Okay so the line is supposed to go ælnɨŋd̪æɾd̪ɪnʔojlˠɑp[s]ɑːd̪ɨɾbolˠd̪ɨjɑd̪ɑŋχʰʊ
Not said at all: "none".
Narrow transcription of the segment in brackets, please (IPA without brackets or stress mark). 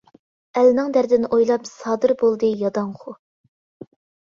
s